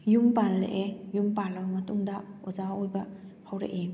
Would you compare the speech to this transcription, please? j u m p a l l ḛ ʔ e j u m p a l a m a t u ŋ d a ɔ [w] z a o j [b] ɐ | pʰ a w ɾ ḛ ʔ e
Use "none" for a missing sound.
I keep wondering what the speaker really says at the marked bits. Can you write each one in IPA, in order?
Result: none, b

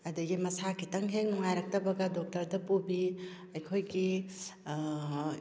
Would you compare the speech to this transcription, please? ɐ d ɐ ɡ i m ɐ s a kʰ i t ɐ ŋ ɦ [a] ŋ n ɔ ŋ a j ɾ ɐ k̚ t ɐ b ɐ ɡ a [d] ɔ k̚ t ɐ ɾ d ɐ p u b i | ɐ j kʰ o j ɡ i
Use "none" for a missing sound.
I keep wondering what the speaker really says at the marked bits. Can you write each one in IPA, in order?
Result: e, d

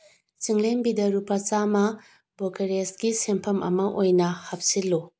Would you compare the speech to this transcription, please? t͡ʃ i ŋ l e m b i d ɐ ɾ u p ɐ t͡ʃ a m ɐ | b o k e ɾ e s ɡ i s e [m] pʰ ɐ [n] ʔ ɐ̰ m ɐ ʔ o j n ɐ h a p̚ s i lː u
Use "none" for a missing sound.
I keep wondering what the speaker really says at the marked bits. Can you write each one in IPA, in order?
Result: m, m

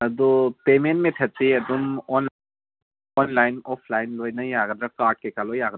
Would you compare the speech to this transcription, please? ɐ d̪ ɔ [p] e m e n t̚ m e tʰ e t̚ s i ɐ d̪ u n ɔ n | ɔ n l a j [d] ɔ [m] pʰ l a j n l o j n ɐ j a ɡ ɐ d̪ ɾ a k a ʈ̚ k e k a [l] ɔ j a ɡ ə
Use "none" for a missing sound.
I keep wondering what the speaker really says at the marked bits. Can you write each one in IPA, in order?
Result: p, n, none, l

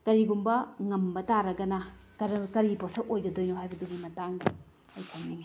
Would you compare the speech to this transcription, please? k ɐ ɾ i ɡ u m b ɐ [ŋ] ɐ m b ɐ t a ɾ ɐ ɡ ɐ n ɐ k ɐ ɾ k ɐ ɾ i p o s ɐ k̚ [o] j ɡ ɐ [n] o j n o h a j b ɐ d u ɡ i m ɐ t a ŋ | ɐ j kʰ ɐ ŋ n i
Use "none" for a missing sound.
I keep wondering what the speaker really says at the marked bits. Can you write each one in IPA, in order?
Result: ŋ, o, d

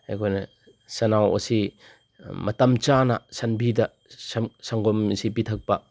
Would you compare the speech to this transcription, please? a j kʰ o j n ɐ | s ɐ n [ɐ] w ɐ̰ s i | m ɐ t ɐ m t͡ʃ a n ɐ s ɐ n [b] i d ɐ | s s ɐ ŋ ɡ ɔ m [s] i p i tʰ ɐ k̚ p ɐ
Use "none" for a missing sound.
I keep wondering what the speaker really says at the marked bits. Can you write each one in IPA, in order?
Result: a, b, s

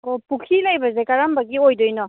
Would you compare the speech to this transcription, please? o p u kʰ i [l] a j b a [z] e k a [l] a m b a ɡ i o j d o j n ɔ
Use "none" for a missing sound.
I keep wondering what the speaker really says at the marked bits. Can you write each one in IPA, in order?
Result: l, z, ɾ

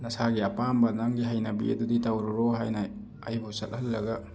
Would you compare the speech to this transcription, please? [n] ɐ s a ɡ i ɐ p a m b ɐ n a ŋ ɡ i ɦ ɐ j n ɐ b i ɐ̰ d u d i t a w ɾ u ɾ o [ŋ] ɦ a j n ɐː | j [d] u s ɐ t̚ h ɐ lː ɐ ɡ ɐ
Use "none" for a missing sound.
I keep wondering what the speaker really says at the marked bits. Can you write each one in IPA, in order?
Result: n, none, b

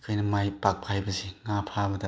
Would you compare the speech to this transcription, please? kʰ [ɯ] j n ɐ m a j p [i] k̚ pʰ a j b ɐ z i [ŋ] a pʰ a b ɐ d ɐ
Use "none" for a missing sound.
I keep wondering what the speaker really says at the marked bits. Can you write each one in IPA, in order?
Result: ɯ, a, ŋ

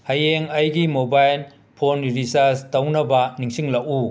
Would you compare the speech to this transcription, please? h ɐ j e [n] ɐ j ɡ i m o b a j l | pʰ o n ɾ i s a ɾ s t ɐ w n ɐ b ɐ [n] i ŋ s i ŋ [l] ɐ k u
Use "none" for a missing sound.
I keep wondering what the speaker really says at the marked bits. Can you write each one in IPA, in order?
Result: ŋ, n, l

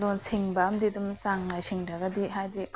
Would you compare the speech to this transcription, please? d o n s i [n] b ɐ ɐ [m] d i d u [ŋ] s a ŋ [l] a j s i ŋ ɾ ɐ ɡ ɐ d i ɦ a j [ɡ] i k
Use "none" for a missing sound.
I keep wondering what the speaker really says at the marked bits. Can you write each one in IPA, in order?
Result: ŋ, m, m, l, d

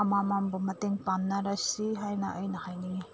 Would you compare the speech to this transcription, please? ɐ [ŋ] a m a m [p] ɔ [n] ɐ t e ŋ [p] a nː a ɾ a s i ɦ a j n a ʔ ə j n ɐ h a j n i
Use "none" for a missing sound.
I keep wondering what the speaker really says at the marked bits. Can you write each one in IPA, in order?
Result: m, b, m, p

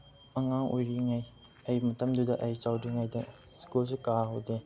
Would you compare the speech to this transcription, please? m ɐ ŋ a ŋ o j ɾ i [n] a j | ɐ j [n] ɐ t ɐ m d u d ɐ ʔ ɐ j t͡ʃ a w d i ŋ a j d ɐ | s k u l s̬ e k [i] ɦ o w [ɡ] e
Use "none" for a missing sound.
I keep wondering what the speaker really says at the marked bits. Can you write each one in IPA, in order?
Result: ŋ, m, a, d

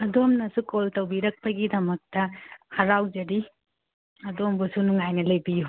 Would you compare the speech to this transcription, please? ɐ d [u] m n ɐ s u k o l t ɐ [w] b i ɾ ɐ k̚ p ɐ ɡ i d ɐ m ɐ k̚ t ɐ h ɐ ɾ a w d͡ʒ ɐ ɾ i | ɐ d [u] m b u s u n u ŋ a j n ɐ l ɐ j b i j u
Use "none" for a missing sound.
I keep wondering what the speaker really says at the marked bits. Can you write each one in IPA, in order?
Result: o, w, o

